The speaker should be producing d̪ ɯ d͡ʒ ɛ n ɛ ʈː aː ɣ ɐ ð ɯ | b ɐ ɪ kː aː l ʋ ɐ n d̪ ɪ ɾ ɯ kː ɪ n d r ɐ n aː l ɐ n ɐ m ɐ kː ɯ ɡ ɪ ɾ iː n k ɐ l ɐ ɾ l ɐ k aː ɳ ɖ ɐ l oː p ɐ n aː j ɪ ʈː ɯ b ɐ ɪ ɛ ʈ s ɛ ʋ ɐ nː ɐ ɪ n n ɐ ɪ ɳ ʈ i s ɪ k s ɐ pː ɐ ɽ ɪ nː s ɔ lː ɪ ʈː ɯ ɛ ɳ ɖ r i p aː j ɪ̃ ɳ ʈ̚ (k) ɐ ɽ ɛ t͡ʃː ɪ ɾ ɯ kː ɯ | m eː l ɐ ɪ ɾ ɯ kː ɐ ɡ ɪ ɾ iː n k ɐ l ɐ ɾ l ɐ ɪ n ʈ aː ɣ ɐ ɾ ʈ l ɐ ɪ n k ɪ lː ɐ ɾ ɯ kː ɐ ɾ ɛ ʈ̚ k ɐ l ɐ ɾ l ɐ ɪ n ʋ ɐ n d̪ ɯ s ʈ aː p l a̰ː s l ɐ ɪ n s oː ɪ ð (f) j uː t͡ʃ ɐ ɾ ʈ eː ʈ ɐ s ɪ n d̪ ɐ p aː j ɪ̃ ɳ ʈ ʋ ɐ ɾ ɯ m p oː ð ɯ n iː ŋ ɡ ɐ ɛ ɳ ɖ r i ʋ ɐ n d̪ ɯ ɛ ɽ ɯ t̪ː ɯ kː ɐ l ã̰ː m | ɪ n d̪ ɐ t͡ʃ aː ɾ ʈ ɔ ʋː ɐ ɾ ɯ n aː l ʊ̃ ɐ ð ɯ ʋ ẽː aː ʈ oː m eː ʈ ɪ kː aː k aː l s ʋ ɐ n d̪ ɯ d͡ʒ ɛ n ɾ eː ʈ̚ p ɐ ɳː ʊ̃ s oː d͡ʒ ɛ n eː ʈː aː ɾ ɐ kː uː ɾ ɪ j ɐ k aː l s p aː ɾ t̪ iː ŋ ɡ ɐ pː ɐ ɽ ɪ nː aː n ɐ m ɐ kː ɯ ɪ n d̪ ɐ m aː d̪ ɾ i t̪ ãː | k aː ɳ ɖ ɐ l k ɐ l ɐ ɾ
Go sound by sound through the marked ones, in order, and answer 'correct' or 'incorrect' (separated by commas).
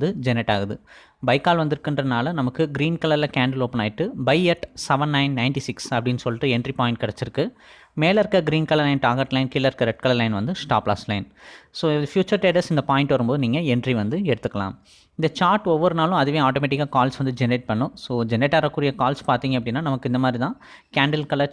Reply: correct, correct